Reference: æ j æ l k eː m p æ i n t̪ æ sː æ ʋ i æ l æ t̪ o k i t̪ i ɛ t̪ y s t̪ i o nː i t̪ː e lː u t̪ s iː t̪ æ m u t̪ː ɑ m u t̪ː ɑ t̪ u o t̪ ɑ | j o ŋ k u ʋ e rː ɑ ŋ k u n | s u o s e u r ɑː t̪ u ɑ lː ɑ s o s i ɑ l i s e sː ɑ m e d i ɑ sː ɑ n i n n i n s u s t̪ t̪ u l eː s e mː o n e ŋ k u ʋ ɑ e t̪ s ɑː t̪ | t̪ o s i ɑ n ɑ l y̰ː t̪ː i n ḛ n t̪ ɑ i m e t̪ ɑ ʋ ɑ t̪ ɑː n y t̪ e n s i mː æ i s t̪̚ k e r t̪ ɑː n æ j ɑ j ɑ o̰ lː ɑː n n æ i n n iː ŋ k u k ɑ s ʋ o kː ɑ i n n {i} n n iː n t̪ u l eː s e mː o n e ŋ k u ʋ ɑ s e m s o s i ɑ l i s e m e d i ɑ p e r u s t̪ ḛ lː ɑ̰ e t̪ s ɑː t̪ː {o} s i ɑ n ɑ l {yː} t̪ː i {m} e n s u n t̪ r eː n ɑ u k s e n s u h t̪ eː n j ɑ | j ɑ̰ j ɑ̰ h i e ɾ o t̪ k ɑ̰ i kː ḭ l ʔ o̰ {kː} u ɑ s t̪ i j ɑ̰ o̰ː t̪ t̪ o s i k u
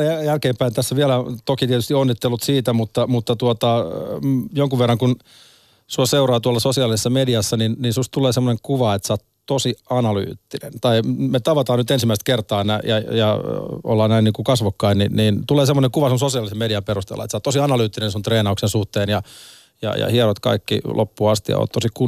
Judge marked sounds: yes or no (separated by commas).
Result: yes, yes, yes, no, no